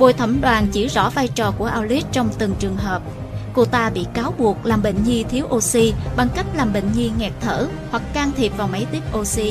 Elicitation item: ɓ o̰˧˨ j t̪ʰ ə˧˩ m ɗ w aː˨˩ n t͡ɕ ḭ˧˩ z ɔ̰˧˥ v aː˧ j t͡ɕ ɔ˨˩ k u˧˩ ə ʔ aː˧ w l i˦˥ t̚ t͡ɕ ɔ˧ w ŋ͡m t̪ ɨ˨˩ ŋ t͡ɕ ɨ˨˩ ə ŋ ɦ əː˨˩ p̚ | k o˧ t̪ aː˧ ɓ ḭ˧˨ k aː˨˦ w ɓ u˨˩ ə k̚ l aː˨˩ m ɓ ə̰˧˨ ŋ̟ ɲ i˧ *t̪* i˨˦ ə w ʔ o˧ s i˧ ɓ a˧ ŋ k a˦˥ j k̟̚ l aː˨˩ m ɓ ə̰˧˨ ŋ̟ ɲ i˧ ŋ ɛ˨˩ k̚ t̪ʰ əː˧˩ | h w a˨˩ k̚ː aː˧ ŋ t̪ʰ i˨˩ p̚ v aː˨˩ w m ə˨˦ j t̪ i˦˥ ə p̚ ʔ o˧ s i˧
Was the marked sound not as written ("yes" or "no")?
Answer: yes